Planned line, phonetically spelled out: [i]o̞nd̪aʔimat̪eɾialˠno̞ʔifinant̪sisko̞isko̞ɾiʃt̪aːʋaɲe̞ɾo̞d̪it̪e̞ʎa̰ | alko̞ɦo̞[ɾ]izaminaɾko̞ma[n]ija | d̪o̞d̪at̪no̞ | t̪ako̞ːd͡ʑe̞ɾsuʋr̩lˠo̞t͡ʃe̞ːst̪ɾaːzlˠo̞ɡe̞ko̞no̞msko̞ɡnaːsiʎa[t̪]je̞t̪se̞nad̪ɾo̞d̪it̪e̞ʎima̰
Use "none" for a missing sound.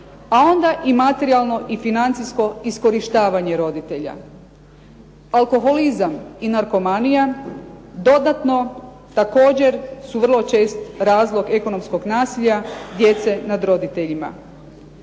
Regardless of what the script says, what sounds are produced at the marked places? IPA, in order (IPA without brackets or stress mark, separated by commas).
a, l, n, d̪